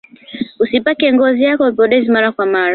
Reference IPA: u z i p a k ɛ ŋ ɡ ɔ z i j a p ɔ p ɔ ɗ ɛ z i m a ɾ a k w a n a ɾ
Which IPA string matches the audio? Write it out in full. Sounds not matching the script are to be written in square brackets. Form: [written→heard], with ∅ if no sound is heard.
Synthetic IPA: u [z→s] i p a k ɛ ŋ ɡ ɔ z i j a [p→k] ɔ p ɔ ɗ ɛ z i m a ɾ a k w a [n→m] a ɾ